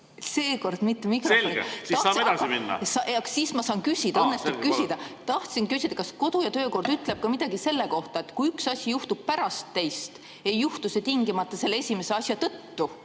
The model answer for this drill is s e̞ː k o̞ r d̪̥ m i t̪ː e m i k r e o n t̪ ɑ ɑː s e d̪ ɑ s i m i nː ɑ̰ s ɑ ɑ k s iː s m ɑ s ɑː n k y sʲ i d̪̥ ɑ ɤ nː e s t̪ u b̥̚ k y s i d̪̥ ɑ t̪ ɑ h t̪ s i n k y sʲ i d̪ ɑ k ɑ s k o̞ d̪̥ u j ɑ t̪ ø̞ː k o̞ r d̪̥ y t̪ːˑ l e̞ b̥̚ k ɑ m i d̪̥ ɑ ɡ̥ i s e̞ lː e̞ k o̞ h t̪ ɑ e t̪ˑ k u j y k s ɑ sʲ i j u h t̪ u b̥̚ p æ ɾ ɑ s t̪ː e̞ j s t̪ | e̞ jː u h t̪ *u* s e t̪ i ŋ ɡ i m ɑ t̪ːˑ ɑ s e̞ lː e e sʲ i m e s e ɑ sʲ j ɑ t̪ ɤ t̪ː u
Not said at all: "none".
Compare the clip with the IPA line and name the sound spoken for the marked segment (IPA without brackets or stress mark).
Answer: u